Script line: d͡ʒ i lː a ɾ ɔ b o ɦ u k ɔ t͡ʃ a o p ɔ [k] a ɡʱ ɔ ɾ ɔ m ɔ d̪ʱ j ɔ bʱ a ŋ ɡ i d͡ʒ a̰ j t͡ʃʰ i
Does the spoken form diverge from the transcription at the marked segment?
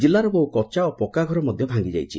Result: no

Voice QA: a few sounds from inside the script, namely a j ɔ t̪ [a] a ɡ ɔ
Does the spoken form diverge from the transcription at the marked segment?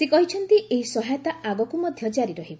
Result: no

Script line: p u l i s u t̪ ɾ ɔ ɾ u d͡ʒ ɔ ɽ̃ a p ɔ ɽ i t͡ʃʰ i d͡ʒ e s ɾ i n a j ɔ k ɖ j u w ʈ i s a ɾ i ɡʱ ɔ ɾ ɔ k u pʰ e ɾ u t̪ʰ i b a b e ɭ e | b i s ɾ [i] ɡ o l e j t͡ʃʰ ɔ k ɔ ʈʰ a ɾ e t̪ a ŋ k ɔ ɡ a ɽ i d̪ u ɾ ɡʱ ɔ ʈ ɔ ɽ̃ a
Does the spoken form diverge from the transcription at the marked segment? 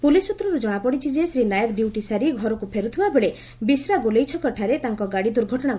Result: yes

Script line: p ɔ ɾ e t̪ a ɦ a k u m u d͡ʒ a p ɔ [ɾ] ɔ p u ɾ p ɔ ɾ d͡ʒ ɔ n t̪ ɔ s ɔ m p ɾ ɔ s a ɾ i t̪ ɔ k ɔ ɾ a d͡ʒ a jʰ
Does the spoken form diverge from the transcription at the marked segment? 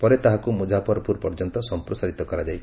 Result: no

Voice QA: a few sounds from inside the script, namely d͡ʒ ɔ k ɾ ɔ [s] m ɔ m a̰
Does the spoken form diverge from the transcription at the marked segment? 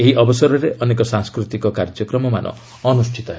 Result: yes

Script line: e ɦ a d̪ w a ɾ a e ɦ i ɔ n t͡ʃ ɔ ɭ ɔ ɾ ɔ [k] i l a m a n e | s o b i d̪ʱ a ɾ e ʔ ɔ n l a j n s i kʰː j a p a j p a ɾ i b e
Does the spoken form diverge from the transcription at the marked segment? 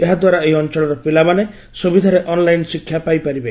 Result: yes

